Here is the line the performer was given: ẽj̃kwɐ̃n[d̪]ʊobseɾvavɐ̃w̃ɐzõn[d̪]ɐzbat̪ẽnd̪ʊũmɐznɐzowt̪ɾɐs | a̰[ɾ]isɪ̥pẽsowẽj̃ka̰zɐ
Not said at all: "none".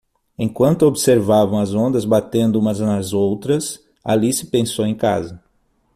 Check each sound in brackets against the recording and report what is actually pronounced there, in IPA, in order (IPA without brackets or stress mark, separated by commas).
t̪, d̪, l